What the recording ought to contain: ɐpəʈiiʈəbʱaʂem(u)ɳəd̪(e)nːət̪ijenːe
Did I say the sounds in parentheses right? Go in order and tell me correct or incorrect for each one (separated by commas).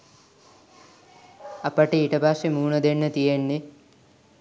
incorrect, correct